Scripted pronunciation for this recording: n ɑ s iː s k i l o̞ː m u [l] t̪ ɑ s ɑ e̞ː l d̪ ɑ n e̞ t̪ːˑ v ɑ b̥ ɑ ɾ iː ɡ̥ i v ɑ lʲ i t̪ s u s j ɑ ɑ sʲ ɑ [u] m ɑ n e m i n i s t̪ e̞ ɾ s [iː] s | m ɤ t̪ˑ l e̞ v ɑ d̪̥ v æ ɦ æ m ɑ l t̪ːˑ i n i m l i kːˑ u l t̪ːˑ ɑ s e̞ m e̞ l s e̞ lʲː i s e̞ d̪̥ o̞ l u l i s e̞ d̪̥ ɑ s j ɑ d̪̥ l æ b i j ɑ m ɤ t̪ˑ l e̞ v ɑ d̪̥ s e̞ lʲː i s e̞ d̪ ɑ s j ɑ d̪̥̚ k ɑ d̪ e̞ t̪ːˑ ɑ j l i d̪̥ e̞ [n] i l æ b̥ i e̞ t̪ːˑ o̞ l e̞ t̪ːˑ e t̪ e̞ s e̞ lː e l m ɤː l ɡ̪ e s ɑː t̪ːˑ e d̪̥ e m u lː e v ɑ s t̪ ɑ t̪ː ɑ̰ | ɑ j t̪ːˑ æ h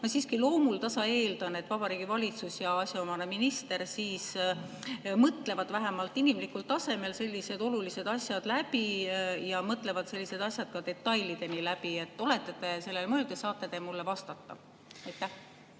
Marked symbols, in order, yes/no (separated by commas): yes, no, yes, yes